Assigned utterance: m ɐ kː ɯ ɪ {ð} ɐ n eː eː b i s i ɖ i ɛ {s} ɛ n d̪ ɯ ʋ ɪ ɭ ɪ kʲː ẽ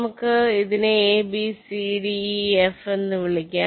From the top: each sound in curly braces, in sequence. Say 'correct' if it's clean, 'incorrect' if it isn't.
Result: correct, incorrect

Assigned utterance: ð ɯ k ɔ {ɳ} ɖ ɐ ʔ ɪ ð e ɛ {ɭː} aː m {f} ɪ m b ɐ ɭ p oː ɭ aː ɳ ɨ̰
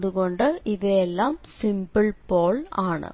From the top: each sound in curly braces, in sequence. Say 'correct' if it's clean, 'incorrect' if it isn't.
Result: correct, incorrect, incorrect

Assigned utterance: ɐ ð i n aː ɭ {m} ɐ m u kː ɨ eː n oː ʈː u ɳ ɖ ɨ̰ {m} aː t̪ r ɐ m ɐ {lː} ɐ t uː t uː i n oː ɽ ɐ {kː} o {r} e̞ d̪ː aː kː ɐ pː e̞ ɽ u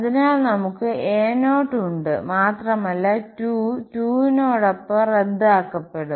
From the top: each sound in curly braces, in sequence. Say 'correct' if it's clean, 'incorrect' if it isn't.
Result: incorrect, correct, correct, incorrect, correct

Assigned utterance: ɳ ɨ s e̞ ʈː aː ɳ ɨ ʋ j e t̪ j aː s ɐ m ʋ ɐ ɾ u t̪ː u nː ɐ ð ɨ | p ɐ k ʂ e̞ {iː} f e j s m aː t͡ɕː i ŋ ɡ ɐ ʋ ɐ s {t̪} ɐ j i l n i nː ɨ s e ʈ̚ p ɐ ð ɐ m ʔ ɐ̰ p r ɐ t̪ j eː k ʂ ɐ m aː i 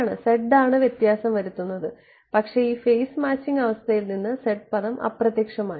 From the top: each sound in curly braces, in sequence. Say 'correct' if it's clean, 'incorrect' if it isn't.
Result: correct, incorrect

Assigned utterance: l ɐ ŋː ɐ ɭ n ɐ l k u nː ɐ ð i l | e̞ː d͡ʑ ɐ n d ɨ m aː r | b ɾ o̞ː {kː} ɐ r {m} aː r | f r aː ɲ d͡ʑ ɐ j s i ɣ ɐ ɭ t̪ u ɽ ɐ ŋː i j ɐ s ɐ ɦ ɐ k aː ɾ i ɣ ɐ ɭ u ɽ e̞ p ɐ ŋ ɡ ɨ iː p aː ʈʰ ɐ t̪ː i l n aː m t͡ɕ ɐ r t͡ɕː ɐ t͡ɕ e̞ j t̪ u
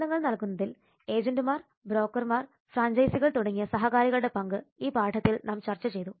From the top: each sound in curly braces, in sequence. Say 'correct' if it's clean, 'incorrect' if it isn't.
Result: correct, correct

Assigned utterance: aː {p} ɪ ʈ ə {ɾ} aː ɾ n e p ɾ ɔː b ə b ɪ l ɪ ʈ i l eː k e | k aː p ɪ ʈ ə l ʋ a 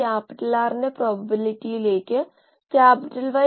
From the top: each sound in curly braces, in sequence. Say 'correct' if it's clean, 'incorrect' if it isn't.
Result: correct, incorrect

